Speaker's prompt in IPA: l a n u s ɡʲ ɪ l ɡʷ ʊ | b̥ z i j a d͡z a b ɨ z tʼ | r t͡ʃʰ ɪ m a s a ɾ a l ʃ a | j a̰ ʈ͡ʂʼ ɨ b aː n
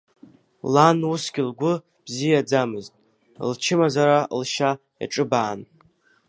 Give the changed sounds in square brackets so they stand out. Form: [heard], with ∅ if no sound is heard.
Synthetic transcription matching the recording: l a n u s ɡʲ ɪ l ɡʷ ʊ | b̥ z i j a d͡z a [m] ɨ z tʼ | [l] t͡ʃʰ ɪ m a [z] a ɾ a l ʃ a | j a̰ ʈ͡ʂʼ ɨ b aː n